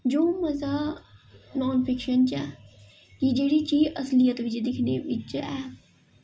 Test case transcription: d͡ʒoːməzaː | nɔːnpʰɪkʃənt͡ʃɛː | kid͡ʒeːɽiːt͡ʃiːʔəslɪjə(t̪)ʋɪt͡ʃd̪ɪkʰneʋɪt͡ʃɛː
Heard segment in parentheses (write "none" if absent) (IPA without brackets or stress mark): t̪